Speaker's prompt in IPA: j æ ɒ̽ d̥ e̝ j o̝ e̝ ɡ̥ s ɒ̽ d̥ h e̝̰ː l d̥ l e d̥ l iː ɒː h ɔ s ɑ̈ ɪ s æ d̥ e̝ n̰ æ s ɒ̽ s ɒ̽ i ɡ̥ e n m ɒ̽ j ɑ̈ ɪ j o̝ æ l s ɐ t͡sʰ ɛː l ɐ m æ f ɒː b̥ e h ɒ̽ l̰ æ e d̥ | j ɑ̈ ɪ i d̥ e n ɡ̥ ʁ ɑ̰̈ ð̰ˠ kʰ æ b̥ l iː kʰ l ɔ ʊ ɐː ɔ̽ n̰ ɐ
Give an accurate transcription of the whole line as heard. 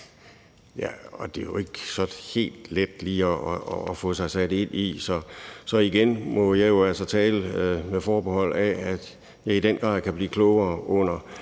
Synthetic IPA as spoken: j æ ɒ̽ d̥ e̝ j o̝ e̝ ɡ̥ s ɒ̽ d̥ h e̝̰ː l d̥ l e d̥ l iː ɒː f ɔ s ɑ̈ ɪ s æ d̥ e̝ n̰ i s ɒ̽ s ɒ̽ i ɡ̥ e n m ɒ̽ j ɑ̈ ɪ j o̝ æ l s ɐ t͡sʰ ɛː l ə m e f ɒː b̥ e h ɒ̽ l̰ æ æ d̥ | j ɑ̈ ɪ i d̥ e n ɡ̥ ʁ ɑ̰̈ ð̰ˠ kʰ æ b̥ l iː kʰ l ɔ ʊ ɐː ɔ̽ n̰ ɐ